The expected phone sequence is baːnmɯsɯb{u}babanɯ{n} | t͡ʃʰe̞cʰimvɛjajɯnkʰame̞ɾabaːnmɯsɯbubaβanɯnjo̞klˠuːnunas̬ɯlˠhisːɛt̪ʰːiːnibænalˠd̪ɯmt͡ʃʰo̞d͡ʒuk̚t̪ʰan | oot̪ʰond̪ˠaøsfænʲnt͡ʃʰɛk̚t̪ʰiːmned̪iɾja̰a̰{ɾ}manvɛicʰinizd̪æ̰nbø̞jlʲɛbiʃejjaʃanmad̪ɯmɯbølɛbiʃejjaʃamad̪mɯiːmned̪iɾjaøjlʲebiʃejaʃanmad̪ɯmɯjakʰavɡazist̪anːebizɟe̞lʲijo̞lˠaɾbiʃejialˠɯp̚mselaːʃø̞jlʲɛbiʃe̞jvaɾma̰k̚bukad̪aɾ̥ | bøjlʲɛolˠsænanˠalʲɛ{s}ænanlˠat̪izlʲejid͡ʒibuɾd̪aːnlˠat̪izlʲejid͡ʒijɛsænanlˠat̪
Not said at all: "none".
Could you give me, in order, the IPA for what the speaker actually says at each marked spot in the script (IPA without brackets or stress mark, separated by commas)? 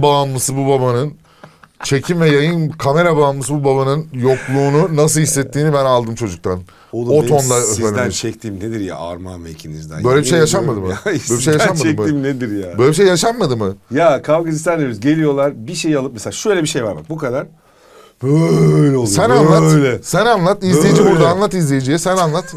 u, n, ɾ, s